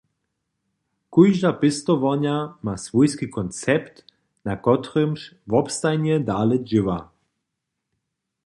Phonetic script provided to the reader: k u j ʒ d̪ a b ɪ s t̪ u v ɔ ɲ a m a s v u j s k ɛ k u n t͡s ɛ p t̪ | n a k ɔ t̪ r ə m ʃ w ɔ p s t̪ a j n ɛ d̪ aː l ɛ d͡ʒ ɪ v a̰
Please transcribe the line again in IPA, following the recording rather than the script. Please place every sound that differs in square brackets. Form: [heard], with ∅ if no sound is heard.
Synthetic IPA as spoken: k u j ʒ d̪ a [p] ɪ s t̪ [ɔ] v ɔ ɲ a m a s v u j s k [i] k [ɔ] n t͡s ɛ p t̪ | n a k ɔ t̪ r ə m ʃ [v] ɔ p s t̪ a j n ɛ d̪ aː l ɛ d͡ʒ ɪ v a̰